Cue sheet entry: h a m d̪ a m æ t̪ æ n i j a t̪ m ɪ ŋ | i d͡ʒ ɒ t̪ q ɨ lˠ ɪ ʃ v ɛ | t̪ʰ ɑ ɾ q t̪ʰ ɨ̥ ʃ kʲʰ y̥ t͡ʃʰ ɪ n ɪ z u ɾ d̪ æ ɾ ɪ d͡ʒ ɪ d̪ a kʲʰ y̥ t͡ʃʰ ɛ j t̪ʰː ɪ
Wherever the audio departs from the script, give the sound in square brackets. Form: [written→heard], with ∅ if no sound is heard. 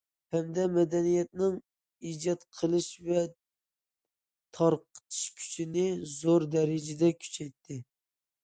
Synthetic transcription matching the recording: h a m d̪ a m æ [t̪→d̪] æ n i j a t̪ [m→n] ɪ ŋ | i d͡ʒ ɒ t̪ [q→qʰ] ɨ lˠ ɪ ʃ v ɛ | t̪ʰ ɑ ɾ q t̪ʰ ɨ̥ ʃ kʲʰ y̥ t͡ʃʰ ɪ n ɪ z [u→o] ɾ d̪ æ ɾ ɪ d͡ʒ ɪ d̪ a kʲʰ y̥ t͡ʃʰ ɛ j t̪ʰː ɪ